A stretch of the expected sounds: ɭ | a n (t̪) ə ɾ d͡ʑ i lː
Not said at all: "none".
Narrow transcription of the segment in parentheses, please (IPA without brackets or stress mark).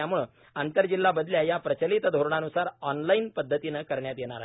t̪